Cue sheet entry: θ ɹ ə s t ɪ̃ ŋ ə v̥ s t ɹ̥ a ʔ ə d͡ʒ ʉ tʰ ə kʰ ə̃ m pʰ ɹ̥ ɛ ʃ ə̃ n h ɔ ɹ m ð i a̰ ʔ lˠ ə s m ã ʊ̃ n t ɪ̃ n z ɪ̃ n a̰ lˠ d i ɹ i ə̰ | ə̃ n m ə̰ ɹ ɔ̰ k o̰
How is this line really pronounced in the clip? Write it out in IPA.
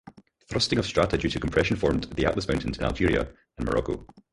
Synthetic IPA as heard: θ ɹ ʌ s t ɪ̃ ŋ ə v̥ s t ɹ̥ a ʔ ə d͡ʒ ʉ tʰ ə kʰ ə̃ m pʰ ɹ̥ ɛ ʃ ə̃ n f ɔ ɹ m ð i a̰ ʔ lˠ ə s m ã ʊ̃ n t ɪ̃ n z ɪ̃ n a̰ lˠ d͡ʒ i ɹ i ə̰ | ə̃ n m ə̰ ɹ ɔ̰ k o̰